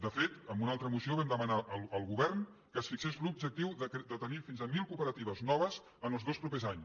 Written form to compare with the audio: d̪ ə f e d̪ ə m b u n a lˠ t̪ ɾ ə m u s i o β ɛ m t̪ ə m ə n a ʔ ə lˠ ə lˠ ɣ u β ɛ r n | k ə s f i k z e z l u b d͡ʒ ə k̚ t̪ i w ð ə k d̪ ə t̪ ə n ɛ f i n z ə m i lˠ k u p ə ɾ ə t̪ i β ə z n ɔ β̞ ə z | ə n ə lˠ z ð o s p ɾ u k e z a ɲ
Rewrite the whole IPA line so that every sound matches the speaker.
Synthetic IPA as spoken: d̪ ə f e t̪ ə m b u n a lˠ t̪ ɾ ə m u s i o β ɛ m d̪ ə m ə n a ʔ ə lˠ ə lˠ ɣ u β ɛ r n | k ə s f i k s e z l u b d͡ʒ ə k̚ t̪ i w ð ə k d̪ ə t̪ ə n i f i n z ə m i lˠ k u p ə ɾ ə t̪ i β ə z n ɔ β̞ ə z | ə n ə lˠ z ð o s p ɾ u p e z a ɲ